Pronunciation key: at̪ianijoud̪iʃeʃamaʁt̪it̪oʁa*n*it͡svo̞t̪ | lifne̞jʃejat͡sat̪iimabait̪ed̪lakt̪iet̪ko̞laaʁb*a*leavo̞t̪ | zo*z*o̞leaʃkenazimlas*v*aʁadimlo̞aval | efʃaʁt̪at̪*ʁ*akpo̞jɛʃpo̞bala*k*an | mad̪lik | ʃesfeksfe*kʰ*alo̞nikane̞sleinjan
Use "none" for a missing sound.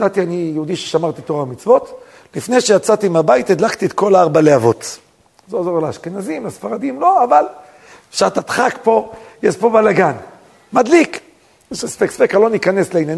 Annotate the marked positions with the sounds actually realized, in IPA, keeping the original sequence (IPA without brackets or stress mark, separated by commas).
m, a, z, f, χ, ɡ, k